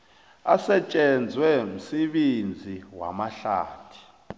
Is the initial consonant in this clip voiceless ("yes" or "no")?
yes